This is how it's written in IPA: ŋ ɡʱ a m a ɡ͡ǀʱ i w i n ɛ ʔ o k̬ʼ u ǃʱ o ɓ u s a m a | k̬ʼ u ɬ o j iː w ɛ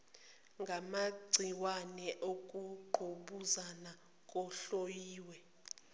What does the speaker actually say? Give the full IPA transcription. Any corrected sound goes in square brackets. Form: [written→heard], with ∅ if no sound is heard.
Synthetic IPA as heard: ŋ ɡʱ a m a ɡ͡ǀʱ i w [i→a] n ɛ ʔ o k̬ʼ u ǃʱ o ɓ u [s→z] a [m→n] a | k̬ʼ [u→ɔ] ɬ o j iː w ɛ